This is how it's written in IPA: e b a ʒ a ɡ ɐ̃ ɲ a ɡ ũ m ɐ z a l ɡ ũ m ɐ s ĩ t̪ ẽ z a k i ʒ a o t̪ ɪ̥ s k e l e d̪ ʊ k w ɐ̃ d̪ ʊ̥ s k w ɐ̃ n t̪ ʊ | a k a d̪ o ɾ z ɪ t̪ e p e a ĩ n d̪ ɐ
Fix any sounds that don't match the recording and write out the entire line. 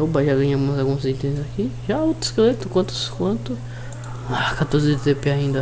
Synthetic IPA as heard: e b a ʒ a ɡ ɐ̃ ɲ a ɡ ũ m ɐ z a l ɡ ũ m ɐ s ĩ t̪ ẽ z a k i ʒ a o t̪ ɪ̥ s k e l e t̪ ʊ k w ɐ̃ t̪ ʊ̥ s k w ɐ̃ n t̪ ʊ | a k a t̪ o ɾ z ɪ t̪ e p e a ĩ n d̪ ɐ